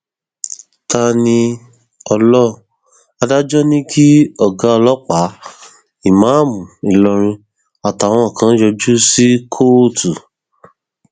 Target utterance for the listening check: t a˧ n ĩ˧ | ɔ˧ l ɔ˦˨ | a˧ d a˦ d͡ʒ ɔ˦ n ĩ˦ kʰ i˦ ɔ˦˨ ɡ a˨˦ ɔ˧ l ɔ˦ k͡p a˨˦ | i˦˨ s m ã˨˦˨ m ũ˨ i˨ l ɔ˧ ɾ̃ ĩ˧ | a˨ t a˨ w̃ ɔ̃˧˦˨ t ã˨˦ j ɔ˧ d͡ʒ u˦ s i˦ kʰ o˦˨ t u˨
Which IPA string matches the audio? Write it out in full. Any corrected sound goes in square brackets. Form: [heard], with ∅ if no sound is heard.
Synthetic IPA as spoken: t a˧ n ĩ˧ | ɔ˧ l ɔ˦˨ | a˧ d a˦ d͡ʒ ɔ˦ n ĩ˦ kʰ i˦ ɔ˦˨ ɡ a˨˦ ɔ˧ l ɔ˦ k͡p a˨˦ | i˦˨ [∅] m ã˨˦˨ m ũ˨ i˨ l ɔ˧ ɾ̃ ĩ˧ | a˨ t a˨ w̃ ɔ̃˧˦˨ [k] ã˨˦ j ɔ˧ d͡ʒ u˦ s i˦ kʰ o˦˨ t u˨